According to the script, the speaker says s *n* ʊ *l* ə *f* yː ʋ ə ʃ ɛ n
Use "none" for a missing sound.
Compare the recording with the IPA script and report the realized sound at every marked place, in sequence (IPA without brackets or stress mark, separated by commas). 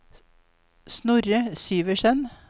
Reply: n, ɾ, s